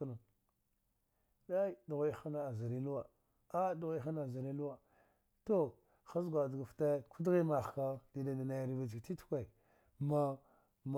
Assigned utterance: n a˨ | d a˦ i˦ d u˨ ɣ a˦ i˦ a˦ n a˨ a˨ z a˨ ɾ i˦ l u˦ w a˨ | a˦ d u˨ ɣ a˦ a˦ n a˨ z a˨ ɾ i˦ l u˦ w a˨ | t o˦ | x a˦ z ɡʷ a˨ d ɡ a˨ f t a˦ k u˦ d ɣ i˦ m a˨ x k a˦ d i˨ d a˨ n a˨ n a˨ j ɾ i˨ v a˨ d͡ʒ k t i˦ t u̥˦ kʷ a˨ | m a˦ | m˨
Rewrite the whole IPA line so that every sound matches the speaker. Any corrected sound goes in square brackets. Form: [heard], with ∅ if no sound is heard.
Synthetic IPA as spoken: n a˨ | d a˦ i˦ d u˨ ɣ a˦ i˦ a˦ n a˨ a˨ z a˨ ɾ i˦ l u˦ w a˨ | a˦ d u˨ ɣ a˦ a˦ n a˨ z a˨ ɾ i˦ l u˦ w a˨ | t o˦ | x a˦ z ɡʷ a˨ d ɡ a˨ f t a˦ k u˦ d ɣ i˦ m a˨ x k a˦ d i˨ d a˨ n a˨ n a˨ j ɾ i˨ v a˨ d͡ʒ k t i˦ t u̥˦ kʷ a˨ | m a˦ | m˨